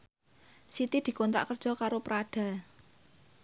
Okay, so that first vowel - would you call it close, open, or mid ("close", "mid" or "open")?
close